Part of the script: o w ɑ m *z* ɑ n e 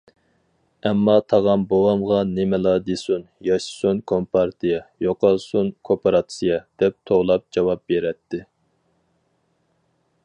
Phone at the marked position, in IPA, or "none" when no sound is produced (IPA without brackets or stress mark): ʁ